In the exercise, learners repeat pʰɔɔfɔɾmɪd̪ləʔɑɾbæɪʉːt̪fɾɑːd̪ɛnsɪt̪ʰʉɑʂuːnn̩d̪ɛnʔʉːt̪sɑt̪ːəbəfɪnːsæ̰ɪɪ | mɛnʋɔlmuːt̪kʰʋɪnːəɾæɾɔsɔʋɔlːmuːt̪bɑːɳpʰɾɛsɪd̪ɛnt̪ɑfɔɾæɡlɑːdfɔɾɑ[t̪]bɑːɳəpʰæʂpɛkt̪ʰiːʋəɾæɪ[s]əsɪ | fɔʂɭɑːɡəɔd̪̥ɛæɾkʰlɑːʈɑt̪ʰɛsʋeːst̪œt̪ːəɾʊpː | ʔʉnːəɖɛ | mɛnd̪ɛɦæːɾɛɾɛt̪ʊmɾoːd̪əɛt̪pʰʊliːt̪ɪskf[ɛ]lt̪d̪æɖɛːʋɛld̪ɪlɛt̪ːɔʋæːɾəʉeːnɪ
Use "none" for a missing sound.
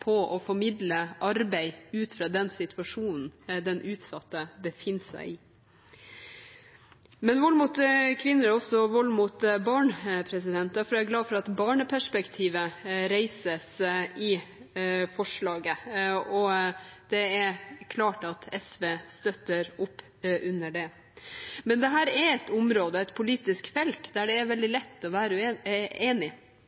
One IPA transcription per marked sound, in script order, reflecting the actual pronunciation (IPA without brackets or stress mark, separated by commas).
t̪, s, ɛ